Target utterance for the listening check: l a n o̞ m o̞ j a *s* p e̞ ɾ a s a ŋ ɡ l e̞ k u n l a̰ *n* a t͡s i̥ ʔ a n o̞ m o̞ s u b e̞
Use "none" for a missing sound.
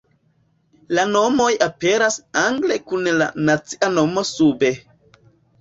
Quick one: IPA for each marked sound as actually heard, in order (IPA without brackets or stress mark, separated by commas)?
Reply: none, n